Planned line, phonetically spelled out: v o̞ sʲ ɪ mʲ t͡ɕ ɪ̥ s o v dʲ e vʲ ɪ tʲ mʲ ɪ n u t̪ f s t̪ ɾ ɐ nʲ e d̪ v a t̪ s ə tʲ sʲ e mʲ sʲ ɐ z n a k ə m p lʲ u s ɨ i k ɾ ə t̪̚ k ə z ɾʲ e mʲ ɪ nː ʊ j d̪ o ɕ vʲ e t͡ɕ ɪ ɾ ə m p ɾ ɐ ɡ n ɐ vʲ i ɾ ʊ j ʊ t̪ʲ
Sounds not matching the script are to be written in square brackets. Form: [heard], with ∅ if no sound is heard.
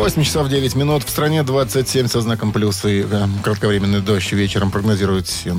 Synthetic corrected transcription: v o̞ sʲ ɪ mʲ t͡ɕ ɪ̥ s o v dʲ e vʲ ɪ tʲ mʲ ɪ n u t̪ f s t̪ ɾ ɐ nʲ e d̪ v a t̪ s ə tʲ sʲ e mʲ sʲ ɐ z n a k ə m p lʲ u s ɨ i k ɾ ə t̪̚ k ə [v] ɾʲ e mʲ ɪ nː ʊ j d̪ o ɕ vʲ e t͡ɕ ɪ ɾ ə m p ɾ [ə] ɡ n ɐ [zʲ] i ɾ ʊ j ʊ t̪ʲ